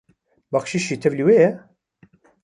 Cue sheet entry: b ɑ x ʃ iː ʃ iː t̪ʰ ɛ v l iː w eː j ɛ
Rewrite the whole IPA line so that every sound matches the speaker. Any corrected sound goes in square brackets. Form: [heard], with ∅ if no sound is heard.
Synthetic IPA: b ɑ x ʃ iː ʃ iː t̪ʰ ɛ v l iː w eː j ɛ

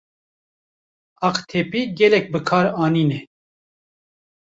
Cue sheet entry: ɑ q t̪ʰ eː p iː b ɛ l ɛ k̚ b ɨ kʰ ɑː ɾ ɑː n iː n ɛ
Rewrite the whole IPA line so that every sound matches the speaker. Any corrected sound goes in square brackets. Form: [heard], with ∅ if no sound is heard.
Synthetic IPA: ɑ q t̪ʰ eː p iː [ɡ] ɛ l ɛ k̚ b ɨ kʰ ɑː ɾ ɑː n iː n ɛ

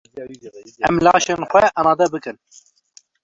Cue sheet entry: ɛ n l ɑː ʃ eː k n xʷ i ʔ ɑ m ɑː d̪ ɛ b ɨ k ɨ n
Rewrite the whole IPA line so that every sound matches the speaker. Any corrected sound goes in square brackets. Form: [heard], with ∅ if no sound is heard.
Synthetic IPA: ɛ [m] l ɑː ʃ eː [∅] n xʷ [ɛ] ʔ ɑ m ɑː d̪ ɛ b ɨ k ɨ n

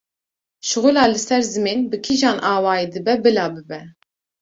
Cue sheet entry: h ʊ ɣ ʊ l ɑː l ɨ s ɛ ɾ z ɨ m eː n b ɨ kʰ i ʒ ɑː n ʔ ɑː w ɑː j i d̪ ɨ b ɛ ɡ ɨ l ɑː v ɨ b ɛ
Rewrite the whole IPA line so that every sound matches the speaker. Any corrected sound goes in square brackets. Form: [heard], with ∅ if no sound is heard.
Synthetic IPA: [ʃ] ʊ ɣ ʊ l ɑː l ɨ s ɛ ɾ z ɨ m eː n b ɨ kʰ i ʒ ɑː n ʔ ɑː w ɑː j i d̪ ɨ b ɛ [b] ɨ l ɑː [b] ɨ b ɛ

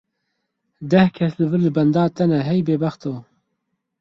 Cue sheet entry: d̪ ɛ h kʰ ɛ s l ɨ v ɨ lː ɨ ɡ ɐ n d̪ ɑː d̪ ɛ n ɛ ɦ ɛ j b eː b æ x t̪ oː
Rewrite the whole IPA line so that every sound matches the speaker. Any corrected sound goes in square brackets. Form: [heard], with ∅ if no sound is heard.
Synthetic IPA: d̪ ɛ h kʰ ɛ s l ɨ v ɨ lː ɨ [b] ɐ n d̪ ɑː [t̪] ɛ n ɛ ɦ ɛ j b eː b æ x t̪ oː

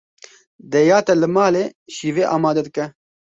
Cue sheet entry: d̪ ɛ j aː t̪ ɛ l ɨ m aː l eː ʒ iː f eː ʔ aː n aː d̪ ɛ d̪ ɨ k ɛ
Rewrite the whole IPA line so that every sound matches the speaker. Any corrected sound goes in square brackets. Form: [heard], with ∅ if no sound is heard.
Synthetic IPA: d̪ ɛ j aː t̪ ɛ l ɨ m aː l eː [ʃ] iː [v] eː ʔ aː [m] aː d̪ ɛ d̪ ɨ k ɛ

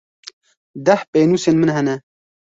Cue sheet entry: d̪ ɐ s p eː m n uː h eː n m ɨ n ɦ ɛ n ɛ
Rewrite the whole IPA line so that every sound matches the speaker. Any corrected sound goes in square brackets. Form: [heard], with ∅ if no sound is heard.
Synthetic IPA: d̪ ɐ [h] p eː [∅] n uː [s] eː n m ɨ n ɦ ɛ n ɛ

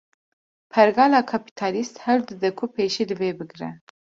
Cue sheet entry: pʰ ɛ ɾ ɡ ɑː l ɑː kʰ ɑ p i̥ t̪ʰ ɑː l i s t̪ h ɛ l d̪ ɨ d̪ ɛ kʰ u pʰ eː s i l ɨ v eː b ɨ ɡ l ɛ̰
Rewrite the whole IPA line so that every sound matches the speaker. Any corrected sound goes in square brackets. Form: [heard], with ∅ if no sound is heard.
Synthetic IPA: pʰ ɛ ɾ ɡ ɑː l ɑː kʰ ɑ p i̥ t̪ʰ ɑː l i s t̪ h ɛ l d̪ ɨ d̪ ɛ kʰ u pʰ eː [ʃ] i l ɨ v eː b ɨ ɡ [ɾ] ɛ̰

